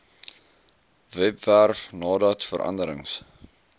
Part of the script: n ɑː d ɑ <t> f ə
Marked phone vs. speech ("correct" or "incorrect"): correct